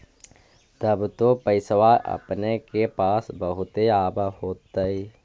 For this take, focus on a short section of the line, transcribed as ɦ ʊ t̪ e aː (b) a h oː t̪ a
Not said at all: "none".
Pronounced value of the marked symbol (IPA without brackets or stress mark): b